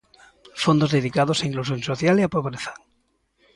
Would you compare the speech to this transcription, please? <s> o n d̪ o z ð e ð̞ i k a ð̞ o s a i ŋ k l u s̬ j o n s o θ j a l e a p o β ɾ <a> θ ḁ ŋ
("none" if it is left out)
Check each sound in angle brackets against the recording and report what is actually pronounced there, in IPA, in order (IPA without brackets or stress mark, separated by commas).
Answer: f, e